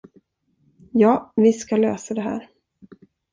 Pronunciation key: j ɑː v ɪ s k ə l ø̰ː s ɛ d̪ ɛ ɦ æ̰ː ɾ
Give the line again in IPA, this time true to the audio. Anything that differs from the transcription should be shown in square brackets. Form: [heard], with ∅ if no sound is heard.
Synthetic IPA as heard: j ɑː v ɪ s k [a] l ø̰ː s [a] d̪ ɛ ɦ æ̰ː ɾ

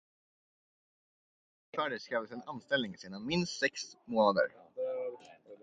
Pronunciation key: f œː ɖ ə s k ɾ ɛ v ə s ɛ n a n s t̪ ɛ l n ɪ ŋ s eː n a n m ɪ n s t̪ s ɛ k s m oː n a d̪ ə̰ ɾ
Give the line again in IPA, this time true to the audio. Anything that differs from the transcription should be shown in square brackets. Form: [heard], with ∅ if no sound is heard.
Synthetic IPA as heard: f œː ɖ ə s k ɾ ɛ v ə s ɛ n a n s t̪ ɛ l n ɪ ŋ s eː n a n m ɪ n s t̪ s ɛ k s m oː n a d̪ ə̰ ɾ

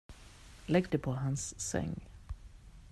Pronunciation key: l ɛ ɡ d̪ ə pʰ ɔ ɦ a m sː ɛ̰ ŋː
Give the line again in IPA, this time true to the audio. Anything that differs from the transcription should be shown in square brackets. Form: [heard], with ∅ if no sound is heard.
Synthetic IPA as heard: l ɛ ɡ d̪ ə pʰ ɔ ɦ a [n] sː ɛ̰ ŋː

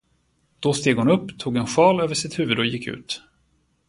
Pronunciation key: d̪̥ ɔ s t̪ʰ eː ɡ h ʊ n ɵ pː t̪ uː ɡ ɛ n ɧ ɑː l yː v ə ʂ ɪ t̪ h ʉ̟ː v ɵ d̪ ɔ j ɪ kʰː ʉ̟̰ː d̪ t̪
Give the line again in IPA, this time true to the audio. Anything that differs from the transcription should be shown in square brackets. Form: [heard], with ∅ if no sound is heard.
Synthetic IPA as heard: d̪̥ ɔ s [t̪] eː ɡ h ʊ n ɵ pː [t̪ʰ] uː ɡ ɛ n ɧ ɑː l [øː] v ə ʂ ɪ t̪ h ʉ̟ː v ɵ d̪ ɔ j ɪ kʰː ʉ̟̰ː [∅] t̪

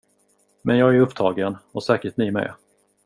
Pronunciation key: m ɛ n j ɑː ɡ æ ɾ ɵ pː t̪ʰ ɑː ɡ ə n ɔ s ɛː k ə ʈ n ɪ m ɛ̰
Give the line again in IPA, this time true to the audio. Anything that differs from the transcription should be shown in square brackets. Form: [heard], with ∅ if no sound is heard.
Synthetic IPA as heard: m ɛ n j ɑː ɡ æ ɾ ɵ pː t̪ʰ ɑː ɡ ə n ɔ s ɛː k ə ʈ n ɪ m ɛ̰

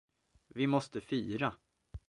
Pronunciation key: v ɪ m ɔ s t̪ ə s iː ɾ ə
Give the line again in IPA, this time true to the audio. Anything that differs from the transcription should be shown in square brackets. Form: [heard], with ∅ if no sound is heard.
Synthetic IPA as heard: v ɪ m ɔ s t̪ ə [f] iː ɾ [a]

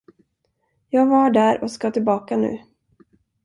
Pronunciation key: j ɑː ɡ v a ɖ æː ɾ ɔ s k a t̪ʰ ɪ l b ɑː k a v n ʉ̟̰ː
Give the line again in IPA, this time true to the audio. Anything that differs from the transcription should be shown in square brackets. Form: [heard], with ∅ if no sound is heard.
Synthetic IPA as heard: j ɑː ɡ v a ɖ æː ɾ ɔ s k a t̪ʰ ɪ l b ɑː k a [∅] n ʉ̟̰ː

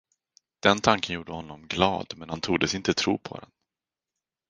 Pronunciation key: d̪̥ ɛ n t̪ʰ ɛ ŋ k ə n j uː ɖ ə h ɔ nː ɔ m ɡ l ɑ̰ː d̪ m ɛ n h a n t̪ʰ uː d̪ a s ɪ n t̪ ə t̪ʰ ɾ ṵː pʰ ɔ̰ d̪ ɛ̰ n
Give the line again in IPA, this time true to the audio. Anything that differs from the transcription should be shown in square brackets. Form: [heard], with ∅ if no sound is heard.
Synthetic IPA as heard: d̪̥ ɛ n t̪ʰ [a] ŋ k ə n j uː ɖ ə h ɔ nː ɔ m ɡ l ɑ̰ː d̪ m ɛ n h a n t̪ʰ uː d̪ [ə] s ɪ n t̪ ə t̪ʰ ɾ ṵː pʰ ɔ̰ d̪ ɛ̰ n

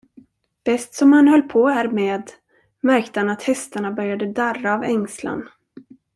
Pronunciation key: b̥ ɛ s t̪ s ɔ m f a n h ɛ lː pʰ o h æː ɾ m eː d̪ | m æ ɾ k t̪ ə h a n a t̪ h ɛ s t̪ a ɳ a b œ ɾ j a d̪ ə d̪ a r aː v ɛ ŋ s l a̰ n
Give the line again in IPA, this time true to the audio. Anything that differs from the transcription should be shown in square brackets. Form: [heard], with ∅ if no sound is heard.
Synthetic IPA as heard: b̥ ɛ s t̪ s ɔ m [h] a n h [œ] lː pʰ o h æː ɾ m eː d̪ | m æ ɾ k t̪ ə h a n a t̪ h ɛ s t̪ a ɳ a b œ ɾ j a d̪ ə d̪ a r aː v ɛ ŋ s l a̰ n

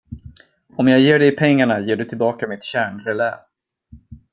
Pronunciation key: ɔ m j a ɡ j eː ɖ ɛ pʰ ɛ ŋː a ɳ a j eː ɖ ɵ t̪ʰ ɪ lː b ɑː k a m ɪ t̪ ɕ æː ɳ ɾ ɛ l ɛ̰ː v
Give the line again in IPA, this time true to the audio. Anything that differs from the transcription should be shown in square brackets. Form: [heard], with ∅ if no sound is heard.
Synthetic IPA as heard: ɔ m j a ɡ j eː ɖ ɛ pʰ ɛ ŋː a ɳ a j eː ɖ ɵ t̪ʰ ɪ [l] b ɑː k a m ɪ t̪ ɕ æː ɳ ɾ ɛ l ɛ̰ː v

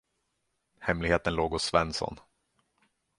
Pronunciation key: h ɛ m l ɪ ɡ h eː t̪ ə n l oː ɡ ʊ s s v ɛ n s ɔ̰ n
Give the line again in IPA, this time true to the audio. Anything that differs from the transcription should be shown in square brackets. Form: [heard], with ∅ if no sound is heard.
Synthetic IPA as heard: h ɛ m l ɪ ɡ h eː t̪ ə n l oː ɡ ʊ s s v ɛ n s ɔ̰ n

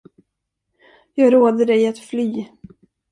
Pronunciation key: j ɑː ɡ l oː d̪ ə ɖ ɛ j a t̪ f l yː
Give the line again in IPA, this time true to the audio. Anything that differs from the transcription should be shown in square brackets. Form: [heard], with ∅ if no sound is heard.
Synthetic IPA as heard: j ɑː ɡ [ɾ] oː d̪ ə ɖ ɛ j a t̪ f l yː

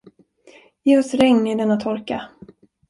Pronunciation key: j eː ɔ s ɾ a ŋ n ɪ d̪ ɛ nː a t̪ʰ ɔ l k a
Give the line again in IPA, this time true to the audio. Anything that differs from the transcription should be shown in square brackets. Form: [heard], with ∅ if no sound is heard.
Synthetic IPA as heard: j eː ɔ s ɾ [ɛ] ŋ n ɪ d̪ ɛ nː a t̪ʰ ɔ [ɾ] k a

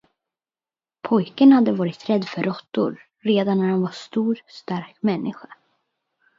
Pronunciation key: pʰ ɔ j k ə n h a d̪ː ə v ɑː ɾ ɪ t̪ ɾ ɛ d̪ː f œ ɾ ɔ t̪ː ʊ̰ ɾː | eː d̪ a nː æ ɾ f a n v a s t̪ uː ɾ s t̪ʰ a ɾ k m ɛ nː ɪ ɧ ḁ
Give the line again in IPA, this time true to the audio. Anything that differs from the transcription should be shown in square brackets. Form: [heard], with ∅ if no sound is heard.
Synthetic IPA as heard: pʰ ɔ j k ə n h a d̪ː ə v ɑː ɾ ɪ t̪ ɾ ɛ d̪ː f œ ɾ ɔ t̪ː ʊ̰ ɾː | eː d̪ a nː æ ɾ [h] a n v a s t̪ uː ɾ s [t̪] a ɾ k m ɛ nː ɪ ɧ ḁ

